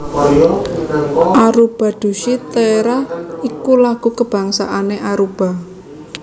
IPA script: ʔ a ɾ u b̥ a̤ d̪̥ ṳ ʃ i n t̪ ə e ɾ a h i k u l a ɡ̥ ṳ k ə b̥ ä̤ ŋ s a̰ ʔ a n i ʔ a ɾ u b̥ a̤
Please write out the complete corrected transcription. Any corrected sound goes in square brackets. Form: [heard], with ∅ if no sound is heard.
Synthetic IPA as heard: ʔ a ɾ u b̥ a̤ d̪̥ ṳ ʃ i [∅] t̪ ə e ɾ a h i k u l a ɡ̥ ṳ k ə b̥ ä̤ ŋ s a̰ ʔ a n [e] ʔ a ɾ u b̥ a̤